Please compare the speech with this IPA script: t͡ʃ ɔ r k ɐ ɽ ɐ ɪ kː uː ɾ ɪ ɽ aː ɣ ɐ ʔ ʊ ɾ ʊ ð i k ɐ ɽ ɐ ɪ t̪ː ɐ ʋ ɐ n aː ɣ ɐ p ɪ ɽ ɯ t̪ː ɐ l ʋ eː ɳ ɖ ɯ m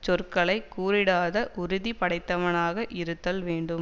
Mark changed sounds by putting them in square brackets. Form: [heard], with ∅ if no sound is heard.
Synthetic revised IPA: t͡ʃ ɔ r k ɐ [ɭ] ɐ ɪ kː uː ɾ ɪ ɽ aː [ð] ɐ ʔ ʊ ɾ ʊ ð i [p] ɐ ɽ ɐ ɪ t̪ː ɐ ʋ ɐ n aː ɣ ɐ [ʔ] ɪ [ɾ] ɯ t̪ː ɐ l ʋ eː ɳ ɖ ɯ m